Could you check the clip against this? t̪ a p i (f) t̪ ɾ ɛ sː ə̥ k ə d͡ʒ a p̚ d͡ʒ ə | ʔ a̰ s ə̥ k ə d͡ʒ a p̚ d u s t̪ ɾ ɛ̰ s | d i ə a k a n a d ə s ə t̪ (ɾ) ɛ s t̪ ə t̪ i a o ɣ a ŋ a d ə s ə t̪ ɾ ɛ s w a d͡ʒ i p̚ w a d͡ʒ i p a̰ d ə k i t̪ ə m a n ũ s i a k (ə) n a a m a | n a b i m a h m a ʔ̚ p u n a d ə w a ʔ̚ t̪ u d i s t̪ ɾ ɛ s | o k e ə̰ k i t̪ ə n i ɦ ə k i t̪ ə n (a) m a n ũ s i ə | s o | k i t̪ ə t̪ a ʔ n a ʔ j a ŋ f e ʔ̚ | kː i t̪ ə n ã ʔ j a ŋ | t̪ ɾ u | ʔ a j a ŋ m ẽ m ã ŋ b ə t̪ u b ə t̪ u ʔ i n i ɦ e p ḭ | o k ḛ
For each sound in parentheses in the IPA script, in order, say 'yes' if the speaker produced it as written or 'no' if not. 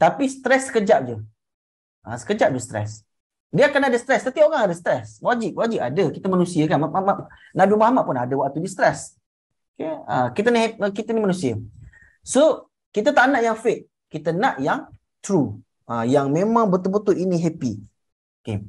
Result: no, yes, no, no

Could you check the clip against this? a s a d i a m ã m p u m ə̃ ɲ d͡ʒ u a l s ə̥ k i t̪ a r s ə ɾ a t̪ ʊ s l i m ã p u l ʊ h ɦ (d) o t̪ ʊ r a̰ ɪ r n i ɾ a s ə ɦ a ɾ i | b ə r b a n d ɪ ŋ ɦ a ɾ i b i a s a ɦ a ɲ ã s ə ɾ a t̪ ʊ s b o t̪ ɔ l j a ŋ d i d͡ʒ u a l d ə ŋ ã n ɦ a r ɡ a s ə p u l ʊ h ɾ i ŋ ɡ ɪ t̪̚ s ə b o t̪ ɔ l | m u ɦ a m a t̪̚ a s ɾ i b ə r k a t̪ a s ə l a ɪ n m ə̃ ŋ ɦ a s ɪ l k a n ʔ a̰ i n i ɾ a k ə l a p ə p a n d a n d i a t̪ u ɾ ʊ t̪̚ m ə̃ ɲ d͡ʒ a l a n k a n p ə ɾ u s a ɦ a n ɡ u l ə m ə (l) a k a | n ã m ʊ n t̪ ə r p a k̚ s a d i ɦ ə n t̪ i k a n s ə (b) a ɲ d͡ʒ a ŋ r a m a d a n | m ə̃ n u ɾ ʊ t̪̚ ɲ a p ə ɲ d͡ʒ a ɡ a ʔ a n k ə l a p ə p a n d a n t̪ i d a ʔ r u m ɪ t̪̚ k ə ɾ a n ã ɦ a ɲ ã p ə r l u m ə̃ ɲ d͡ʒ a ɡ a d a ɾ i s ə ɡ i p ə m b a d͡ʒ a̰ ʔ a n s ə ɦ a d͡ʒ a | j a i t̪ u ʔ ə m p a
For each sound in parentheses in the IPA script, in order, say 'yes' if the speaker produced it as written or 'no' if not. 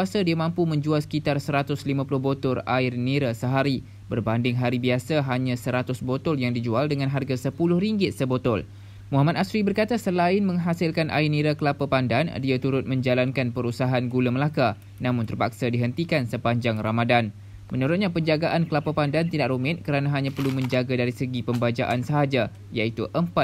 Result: no, yes, no

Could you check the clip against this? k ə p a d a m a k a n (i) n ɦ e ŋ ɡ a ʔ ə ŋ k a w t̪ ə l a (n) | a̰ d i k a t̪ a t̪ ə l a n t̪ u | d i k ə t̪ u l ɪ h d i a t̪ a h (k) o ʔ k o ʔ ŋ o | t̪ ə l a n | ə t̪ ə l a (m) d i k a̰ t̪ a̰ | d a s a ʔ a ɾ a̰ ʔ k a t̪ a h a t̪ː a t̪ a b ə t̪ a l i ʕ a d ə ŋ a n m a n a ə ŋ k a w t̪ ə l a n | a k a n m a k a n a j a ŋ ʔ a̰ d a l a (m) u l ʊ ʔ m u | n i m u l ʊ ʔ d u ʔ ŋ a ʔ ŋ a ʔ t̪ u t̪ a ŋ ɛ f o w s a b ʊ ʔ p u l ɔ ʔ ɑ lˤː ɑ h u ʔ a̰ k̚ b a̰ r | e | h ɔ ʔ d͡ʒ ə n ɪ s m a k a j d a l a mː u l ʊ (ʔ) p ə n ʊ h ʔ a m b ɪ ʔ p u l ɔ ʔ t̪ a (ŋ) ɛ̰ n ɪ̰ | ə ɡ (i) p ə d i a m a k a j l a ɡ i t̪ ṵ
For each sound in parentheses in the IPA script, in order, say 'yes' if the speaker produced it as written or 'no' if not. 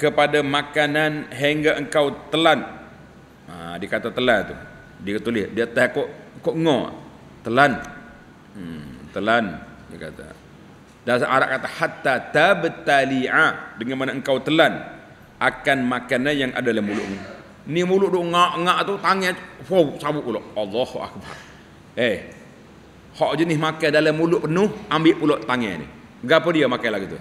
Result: no, yes, yes, no, yes, yes, yes, no

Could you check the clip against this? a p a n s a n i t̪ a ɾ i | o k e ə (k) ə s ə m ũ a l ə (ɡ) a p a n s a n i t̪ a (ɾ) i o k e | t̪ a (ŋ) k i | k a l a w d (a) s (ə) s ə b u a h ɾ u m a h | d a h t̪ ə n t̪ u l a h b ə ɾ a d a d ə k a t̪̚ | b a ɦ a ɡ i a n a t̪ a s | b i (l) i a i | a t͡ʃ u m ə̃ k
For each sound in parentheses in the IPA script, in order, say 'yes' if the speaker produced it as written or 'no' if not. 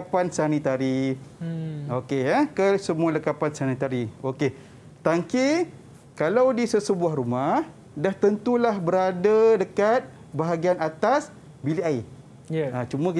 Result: yes, no, yes, yes, no, yes, yes

